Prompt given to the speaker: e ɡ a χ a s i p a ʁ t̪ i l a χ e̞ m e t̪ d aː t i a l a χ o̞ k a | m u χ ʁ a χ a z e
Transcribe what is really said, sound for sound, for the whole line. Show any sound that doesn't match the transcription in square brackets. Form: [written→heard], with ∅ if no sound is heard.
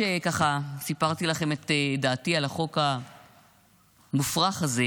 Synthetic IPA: e [ɡ→k] a χ a s i p a ʁ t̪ i l a χ e̞ m e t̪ d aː t i a l a χ o̞ k a | m u [χ→f] ʁ a χ a z e